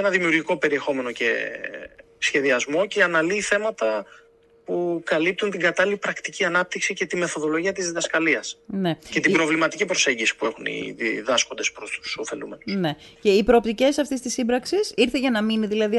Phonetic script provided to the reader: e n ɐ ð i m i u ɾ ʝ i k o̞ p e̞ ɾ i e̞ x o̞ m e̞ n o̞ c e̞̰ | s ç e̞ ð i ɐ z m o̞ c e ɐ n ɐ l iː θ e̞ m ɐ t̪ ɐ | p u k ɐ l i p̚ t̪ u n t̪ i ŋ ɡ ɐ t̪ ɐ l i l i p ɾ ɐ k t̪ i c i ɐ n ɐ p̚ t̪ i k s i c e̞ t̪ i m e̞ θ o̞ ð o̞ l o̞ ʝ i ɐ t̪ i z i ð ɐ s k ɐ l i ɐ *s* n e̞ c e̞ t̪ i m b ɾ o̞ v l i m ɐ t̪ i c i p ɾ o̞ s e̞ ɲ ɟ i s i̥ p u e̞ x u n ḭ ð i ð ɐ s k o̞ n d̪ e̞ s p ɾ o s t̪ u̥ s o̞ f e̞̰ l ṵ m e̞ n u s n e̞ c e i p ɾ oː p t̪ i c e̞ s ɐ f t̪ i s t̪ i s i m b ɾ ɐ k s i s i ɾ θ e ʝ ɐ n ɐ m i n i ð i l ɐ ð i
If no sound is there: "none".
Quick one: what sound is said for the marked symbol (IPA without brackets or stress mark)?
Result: s